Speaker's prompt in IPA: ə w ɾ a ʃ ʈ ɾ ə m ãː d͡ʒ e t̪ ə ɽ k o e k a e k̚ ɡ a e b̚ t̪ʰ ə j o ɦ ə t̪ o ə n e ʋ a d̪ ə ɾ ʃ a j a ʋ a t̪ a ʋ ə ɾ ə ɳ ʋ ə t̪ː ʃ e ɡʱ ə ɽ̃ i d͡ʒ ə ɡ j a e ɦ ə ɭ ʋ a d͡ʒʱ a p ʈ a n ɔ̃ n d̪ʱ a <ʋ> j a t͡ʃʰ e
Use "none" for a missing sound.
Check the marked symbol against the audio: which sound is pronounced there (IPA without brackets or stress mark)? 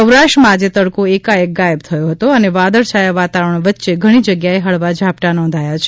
none